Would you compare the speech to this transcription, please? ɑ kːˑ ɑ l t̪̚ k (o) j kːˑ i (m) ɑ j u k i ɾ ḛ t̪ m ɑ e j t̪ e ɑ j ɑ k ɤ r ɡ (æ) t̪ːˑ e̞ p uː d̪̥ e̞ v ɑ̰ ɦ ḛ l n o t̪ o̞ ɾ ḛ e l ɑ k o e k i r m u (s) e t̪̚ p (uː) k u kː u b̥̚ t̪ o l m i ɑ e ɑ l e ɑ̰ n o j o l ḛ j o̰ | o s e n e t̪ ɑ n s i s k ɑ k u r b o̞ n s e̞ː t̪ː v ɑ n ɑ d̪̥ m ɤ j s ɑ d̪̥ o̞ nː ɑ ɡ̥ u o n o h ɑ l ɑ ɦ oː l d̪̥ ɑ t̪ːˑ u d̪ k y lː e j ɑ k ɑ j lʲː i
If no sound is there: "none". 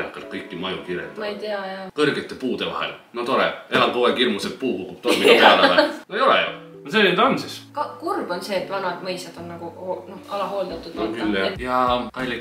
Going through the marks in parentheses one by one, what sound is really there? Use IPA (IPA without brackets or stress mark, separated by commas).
ɤ, m, e, s, uː